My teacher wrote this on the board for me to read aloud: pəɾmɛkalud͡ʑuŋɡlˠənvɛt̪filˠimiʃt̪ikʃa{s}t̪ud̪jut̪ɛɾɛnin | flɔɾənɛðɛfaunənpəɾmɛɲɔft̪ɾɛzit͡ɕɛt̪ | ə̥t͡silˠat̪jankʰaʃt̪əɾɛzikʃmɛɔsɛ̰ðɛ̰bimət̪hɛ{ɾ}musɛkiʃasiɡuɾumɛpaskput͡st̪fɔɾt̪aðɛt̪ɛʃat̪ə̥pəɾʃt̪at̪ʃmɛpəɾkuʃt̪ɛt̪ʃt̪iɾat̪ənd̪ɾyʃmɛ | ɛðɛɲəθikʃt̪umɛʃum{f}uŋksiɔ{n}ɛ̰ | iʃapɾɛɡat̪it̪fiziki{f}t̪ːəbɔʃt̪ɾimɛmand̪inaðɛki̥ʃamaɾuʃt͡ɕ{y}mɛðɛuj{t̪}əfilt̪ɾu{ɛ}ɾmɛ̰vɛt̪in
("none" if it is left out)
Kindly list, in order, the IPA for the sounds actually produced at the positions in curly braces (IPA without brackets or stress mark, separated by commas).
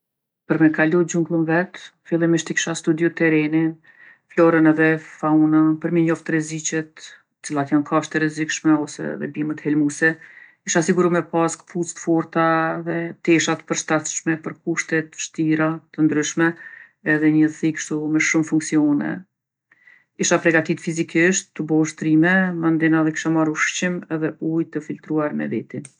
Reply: s, l, f, n, ʃ, i, t̪, a